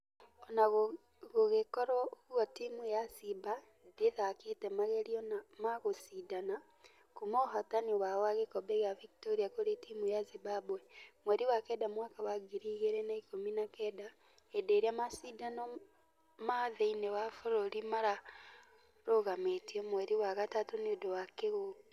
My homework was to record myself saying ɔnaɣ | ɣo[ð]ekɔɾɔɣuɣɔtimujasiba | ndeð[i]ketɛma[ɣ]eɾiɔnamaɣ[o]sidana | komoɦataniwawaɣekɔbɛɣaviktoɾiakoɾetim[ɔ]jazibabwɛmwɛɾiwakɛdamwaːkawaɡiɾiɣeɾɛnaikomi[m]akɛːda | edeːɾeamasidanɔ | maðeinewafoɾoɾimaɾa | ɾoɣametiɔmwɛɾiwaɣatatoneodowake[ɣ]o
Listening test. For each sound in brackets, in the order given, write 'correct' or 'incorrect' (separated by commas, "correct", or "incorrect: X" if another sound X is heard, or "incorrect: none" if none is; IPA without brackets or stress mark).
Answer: incorrect: ɣ, incorrect: a, correct, correct, incorrect: u, incorrect: n, correct